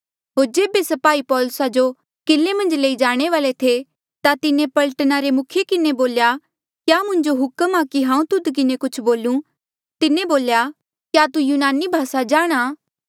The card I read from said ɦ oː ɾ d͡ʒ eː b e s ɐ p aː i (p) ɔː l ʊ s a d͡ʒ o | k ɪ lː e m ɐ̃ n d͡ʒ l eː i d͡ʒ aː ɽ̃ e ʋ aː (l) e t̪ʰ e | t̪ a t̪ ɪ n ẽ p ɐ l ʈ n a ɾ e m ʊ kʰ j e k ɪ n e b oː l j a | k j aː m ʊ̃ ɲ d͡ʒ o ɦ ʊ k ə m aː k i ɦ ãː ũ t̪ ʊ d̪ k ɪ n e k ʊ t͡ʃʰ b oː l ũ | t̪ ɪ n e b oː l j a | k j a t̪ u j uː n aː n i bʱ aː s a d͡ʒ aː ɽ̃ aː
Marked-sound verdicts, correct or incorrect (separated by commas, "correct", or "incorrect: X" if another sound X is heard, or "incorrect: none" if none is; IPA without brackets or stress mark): correct, correct